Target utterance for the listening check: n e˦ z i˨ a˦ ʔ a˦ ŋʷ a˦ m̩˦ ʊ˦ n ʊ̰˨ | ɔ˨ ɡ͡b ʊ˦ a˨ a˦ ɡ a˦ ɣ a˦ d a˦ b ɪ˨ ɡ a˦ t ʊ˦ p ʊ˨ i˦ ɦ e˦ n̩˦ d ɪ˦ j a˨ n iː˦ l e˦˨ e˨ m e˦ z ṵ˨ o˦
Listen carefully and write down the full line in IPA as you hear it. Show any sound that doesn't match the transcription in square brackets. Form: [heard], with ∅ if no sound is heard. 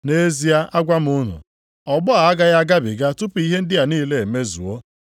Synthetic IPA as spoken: n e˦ z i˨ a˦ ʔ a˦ [ɡʷ] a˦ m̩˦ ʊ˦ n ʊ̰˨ | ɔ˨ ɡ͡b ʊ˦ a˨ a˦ ɡ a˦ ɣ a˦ [ɡ] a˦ b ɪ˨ ɡ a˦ t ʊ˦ p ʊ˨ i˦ ɦ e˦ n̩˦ d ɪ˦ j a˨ n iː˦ l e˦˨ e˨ m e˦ z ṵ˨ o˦